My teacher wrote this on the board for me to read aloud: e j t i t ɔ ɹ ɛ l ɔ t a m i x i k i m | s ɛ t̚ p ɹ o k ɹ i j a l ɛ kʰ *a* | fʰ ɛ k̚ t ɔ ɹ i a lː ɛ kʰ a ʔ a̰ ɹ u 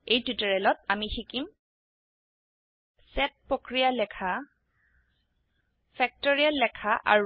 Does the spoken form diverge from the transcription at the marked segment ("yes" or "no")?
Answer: no